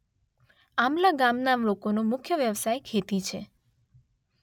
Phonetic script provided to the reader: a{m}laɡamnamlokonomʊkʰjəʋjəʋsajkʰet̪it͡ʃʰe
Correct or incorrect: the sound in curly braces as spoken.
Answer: correct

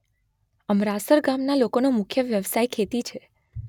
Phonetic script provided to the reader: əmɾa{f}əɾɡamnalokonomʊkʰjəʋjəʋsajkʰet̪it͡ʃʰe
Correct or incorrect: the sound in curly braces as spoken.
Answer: incorrect: s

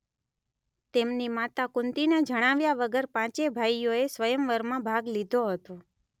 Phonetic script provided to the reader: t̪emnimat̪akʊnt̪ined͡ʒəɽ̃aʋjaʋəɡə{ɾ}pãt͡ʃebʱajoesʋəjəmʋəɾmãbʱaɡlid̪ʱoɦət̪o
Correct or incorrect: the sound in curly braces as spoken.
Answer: correct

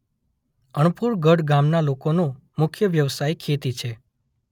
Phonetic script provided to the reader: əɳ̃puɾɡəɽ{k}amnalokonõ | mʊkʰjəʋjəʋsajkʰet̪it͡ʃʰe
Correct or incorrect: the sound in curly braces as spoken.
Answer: incorrect: ɡ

